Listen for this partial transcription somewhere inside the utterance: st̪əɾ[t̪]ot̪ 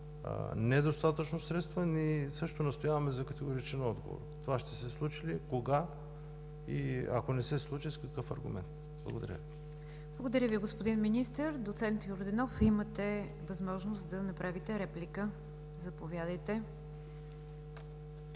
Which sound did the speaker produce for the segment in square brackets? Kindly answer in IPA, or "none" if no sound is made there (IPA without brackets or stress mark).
d̪